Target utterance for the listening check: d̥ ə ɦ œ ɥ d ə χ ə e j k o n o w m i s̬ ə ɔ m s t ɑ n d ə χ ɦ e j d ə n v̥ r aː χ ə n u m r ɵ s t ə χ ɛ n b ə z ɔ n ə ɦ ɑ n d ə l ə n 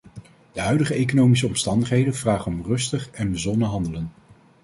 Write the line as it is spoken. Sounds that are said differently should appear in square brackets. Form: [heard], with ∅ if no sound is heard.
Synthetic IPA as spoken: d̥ ə ɦ œ ɥ d ə χ ə e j k o n o w m i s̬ ə ɔ m s t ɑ n d ə χ ɦ e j d ə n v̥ r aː χ ə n [ɔ] m r ɵ s t ə χ ɛ n b ə z ɔ n ə ɦ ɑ n d ə l ə n